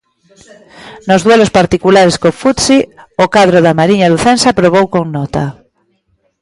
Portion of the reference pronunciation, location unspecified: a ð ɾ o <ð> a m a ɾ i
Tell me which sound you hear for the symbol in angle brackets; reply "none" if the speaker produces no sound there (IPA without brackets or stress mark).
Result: ð